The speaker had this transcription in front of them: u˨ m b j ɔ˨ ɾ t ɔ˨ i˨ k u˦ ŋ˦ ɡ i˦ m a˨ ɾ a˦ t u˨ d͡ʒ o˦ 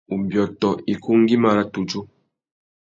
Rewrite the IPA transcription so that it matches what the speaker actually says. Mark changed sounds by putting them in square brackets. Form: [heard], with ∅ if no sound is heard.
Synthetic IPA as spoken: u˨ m b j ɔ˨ [∅] t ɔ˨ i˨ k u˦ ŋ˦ ɡ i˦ m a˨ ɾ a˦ t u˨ d͡ʒ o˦